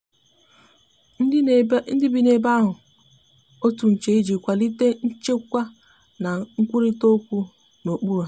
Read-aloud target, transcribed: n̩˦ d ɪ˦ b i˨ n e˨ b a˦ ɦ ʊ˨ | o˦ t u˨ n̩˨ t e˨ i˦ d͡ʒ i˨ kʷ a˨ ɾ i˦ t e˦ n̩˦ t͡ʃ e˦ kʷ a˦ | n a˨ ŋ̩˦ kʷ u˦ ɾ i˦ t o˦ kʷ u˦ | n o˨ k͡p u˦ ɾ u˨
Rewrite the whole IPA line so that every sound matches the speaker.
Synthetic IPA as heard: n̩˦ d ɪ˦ b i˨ n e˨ b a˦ ɦ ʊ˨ | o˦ t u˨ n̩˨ t͡ʃ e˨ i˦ d͡ʒ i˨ kʷ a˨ l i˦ t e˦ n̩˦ t͡ʃ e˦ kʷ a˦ | n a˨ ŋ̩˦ kʷ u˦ ɾ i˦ t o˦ kʷ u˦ | n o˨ k͡p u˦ ɾ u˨